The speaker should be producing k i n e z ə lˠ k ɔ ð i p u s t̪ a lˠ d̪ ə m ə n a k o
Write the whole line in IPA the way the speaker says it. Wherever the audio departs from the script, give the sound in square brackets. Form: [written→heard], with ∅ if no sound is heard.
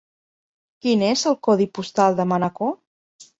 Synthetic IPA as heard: k i n e z ə lˠ k ɔ ð i p u s t̪ a lˠ d̪ ə m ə n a k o